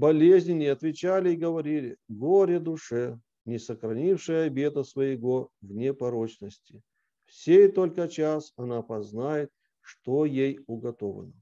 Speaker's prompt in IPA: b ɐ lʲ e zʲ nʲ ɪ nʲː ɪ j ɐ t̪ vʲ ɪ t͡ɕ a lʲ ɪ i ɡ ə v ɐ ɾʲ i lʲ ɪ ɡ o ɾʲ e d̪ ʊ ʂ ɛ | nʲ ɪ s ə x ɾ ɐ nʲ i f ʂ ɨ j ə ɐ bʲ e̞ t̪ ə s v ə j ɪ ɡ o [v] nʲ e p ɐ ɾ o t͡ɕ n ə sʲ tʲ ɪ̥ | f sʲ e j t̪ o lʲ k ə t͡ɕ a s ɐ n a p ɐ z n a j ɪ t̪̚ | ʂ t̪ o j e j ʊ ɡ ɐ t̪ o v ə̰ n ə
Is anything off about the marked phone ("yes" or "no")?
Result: no